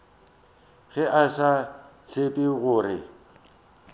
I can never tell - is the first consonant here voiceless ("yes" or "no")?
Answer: no